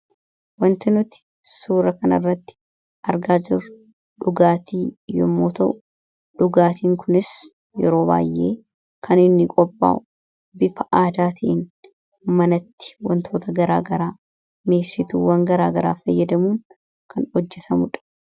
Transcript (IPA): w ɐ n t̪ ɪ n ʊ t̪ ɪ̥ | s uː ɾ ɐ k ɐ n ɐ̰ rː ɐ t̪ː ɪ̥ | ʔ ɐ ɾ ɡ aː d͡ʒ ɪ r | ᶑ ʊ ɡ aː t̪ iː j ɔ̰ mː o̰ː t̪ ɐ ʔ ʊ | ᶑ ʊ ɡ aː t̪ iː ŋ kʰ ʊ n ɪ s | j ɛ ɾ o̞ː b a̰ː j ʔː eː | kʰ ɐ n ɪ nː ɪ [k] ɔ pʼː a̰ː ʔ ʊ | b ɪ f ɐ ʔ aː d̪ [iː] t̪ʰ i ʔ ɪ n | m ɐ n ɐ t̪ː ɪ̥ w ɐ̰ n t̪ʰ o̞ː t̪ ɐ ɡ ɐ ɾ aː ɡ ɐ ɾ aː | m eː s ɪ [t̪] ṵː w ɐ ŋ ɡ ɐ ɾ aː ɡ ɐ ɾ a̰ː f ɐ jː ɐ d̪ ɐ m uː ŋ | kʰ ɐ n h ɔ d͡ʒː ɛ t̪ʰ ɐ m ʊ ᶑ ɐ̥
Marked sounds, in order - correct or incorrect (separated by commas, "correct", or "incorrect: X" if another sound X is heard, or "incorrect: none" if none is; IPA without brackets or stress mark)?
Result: incorrect: kʼ, incorrect: aː, correct